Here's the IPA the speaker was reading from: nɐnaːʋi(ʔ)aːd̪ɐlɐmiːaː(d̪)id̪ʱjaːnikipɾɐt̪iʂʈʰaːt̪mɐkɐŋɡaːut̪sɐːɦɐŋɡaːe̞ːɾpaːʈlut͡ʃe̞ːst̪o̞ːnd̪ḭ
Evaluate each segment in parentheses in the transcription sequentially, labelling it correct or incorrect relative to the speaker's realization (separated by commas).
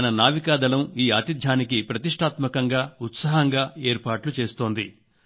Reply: incorrect, incorrect